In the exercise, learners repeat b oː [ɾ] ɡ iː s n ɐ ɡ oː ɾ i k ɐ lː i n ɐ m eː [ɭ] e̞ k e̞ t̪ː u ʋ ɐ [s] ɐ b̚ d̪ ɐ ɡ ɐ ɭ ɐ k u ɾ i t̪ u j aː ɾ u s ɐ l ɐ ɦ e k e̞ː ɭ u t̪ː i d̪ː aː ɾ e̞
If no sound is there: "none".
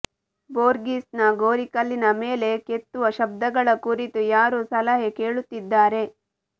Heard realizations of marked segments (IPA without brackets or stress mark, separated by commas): ɾ, l, ʃ